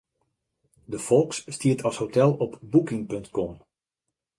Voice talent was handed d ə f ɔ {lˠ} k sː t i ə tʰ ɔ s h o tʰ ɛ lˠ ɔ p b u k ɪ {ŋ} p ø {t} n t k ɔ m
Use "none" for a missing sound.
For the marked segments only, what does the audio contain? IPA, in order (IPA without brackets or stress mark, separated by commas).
lˠ, ŋ, none